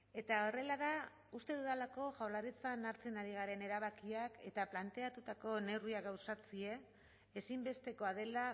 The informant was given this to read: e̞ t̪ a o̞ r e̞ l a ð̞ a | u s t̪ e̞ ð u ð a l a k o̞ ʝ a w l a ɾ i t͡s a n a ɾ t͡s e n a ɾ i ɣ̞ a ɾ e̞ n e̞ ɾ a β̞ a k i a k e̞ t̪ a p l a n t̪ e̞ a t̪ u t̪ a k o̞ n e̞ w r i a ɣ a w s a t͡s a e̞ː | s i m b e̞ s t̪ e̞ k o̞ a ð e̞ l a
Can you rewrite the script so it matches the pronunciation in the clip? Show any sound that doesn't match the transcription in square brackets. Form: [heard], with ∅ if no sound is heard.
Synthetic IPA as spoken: e̞ t̪ a o̞ r e̞ l a ð̞ a | u s t̪ e̞ ð u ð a l a k o̞ ʝ a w l a ɾ i t͡s a n a ɾ t͡s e n a ɾ i ɣ̞ a ɾ e̞ n e̞ ɾ a β̞ a k i a k e̞ t̪ a p l a n t̪ e̞ a t̪ u t̪ a k o̞ n e̞ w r i a ɣ a w s a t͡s [i] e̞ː | s i m b e̞ s t̪ e̞ k o̞ a ð e̞ l a

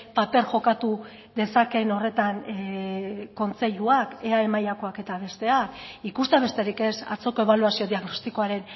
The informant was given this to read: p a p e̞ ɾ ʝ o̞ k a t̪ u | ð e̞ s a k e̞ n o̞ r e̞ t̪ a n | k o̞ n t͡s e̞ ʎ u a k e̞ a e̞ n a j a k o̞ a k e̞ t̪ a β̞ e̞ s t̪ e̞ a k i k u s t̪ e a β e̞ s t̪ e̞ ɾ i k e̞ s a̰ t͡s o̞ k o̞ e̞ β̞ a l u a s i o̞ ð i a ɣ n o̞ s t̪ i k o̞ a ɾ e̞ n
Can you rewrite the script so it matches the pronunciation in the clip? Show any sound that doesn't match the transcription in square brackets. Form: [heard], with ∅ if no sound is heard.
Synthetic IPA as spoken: p a p e̞ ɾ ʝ o̞ k a t̪ u | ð e̞ s a k e̞ n o̞ r e̞ t̪ a n | k o̞ n t͡s e̞ ʎ u a k e̞ a e̞ [m] a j a k o̞ a k e̞ t̪ a β̞ e̞ s t̪ e̞ a k i k u s t̪ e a β e̞ s t̪ e̞ ɾ i k e̞ s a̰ t͡s o̞ k o̞ e̞ β̞ a l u a s i o̞ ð i a ɣ n o̞ s t̪ i k o̞ a ɾ e̞ n

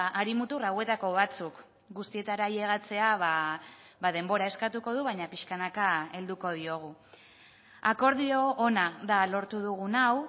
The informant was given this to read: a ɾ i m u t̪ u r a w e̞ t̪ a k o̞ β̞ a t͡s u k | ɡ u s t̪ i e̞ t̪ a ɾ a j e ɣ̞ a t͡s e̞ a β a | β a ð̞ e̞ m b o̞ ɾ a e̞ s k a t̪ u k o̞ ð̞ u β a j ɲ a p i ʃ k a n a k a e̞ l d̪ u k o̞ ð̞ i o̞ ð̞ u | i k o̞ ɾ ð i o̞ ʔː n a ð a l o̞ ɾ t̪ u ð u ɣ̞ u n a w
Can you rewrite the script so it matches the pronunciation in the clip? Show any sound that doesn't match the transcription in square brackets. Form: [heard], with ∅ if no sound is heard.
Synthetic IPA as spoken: a ɾ i m u t̪ u r a w e̞ t̪ a k o̞ β̞ a t͡s u k | ɡ u s t̪ i e̞ t̪ a ɾ a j e ɣ̞ a t͡s e̞ a β a | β a ð̞ e̞ m b o̞ ɾ a e̞ s k a t̪ u k o̞ ð̞ u β a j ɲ a p i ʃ k a n a k a e̞ l d̪ u k o̞ ð̞ i o̞ [ɣ̞] u | [a] k o̞ ɾ ð i o̞ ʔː n a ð a l o̞ ɾ t̪ u ð u ɣ̞ u n a w

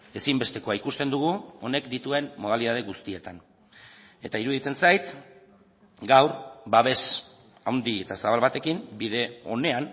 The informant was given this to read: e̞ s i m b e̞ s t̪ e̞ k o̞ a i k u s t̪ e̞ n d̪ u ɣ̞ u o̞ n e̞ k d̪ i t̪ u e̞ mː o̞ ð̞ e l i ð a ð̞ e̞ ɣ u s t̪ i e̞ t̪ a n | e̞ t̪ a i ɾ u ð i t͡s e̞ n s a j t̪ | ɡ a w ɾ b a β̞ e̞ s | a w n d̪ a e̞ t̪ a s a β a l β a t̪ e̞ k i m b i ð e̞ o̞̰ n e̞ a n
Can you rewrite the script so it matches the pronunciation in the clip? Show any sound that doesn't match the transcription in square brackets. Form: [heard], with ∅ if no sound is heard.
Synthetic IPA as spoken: e̞ s i m b e̞ s t̪ e̞ k o̞ a i k u s t̪ e̞ n d̪ u ɣ̞ u o̞ n e̞ k d̪ i t̪ u e̞ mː o̞ ð̞ [a] l i ð a ð̞ e̞ ɣ u s t̪ i e̞ t̪ a n | e̞ t̪ a i ɾ u ð i t͡s e̞ n s a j t̪ | ɡ a w ɾ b a β̞ e̞ s | a w n d̪ [i] e̞ t̪ a s a β a l β a t̪ e̞ k i m b i ð e̞ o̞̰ n e̞ a n

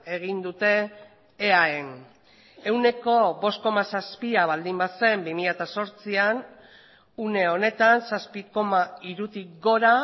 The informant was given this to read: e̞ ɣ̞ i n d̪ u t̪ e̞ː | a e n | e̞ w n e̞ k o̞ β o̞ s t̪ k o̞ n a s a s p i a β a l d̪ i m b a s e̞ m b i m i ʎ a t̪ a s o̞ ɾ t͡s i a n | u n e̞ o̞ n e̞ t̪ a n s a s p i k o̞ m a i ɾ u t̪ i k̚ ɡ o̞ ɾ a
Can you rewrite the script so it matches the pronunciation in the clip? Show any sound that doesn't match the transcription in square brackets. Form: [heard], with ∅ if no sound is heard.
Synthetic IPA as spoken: e̞ ɣ̞ i n d̪ u t̪ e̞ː | a e n | e̞ w n e̞ k o̞ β o̞ s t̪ k o̞ [m] a s a s p i a β a l d̪ i m b a s e̞ m b i m i ʎ a t̪ a s o̞ ɾ t͡s i a n | u n e̞ o̞ n e̞ t̪ a n s a s p i k o̞ m a i ɾ u t̪ i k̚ ɡ o̞ ɾ a

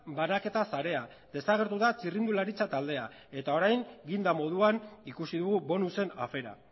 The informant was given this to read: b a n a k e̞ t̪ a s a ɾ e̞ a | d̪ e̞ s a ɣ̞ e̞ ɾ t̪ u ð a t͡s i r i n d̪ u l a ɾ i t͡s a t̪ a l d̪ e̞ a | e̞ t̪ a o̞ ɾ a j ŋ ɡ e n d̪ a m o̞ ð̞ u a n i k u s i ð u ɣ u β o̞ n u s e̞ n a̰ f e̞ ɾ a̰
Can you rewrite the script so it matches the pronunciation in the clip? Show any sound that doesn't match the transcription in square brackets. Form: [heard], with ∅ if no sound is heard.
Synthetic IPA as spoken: b a n a k e̞ t̪ a s a ɾ e̞ a | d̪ e̞ s a ɣ̞ e̞ ɾ t̪ u ð a t͡s i r i n d̪ u l a ɾ i t͡s a t̪ a l d̪ e̞ a | e̞ t̪ a o̞ ɾ a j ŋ ɡ [i] n d̪ a m o̞ ð̞ u a n i k u s i ð u ɣ u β o̞ n u s e̞ n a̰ f e̞ ɾ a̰

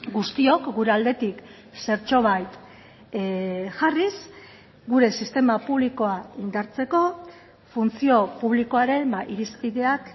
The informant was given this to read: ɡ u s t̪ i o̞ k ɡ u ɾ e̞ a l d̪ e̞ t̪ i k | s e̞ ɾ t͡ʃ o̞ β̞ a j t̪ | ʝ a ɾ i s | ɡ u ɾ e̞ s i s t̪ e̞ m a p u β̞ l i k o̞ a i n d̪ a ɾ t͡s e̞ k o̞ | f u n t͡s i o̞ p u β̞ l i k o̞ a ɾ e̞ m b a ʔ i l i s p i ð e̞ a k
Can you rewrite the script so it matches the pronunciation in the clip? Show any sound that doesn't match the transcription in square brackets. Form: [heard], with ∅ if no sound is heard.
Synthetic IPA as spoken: ɡ u s t̪ i o̞ k ɡ u ɾ e̞ a l d̪ e̞ t̪ i k | s e̞ ɾ t͡ʃ o̞ β̞ a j t̪ | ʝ a [r] i s | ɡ u ɾ e̞ s i s t̪ e̞ m a p u β̞ l i k o̞ a i n d̪ a ɾ t͡s e̞ k o̞ | f u n t͡s i o̞ p u β̞ l i k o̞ a ɾ e̞ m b a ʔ i [ɾ] i s p i ð e̞ a k

